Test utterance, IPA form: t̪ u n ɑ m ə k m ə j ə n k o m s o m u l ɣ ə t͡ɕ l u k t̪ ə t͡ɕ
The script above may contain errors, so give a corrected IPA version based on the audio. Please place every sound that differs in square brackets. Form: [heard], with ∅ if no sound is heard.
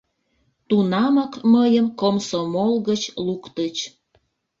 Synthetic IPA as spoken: t̪ u n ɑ m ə k m ə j ə [m] k o m s o m [o] l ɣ ə t͡ɕ l u k t̪ ə t͡ɕ